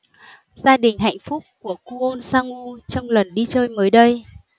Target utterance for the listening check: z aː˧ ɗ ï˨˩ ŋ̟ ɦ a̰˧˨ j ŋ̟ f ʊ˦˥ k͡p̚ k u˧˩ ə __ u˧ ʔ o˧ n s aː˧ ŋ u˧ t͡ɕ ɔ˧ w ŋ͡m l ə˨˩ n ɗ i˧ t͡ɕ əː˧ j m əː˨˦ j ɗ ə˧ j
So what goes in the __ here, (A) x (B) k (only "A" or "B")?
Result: B